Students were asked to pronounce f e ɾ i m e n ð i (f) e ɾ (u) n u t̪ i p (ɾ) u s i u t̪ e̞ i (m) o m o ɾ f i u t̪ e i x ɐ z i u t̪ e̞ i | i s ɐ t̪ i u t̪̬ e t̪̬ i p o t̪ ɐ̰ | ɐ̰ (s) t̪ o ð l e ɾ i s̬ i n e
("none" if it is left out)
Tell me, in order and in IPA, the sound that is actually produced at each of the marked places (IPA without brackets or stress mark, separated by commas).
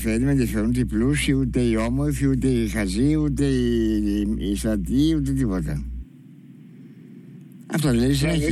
f, u, l, none, f